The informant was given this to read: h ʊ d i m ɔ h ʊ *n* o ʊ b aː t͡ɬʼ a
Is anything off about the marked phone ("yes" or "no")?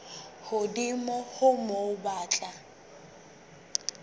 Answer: yes